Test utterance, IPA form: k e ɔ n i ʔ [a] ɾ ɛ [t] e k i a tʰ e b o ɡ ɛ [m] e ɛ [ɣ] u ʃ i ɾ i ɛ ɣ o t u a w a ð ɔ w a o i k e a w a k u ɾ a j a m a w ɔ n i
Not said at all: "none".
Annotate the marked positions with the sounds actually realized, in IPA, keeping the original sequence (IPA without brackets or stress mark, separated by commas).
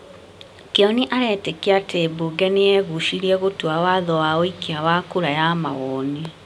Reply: a, t, n, ɣ